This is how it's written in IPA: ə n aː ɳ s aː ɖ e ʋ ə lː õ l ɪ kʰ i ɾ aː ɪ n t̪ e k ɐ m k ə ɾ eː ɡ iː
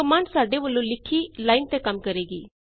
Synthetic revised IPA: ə m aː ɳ s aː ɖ e ʋ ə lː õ l ɪ kʰ i l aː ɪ n t̪ e k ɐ m k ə ɾ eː ɡ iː